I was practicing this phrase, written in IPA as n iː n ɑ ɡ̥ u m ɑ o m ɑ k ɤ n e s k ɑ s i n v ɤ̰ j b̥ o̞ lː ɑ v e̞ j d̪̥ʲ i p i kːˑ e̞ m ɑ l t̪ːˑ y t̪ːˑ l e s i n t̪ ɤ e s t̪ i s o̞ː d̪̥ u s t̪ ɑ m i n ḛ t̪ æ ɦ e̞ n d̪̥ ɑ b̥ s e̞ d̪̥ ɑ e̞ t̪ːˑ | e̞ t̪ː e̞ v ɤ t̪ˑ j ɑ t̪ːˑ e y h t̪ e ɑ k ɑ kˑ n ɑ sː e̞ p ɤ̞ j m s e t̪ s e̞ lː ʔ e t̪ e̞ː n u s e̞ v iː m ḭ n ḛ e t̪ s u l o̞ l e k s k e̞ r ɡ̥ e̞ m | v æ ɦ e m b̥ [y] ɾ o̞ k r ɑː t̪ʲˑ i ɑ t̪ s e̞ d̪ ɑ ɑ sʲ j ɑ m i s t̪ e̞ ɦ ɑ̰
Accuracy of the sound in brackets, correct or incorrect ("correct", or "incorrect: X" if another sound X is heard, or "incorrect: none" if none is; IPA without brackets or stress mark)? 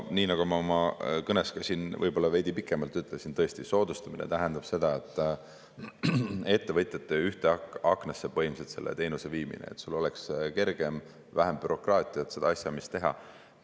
correct